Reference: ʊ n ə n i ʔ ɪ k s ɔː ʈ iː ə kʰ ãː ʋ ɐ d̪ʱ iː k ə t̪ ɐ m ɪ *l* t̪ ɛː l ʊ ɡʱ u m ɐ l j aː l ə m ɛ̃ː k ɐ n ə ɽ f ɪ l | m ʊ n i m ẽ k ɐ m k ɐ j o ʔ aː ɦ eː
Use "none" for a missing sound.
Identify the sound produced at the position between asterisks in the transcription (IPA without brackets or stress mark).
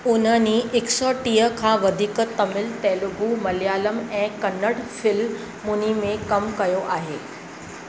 l